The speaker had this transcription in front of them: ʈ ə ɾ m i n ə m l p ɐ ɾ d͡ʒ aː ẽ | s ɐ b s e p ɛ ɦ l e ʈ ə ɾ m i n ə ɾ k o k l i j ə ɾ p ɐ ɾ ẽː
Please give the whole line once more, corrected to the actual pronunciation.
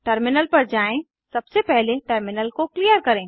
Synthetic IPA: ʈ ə ɾ m ɪ n ə l p ɐ ɾ d͡ʒ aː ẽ | s ɐ b s e p ɛ ɦ l e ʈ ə ɾ m ɪ n ə l k o k l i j ə ɾ k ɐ ɾ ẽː